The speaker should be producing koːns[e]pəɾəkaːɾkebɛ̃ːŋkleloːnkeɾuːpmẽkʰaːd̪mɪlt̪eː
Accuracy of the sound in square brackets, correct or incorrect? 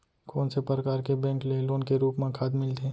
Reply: correct